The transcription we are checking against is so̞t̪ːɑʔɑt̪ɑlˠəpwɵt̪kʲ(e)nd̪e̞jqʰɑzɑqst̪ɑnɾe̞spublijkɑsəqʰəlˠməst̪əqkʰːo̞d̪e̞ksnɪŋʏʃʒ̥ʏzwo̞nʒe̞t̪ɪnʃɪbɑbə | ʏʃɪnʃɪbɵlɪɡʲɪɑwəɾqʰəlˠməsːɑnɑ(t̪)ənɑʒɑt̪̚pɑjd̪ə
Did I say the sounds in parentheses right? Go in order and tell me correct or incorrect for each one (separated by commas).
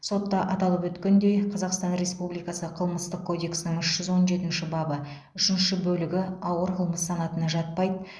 correct, correct